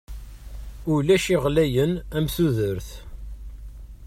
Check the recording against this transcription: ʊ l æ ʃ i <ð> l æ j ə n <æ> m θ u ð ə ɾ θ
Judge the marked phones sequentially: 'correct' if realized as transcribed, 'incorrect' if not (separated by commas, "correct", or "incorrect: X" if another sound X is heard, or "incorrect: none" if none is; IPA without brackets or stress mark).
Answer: incorrect: ʁ, correct